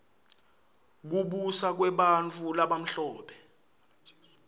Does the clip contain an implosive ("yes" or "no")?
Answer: yes